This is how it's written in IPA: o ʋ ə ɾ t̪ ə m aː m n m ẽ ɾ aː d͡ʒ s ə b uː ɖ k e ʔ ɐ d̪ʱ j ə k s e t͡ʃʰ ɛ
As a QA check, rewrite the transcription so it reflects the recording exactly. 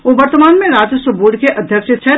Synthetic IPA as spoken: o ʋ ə ɾ t̪ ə m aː n m ẽ ɾ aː d͡ʒ s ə b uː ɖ k e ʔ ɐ d̪ʱ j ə k ʃ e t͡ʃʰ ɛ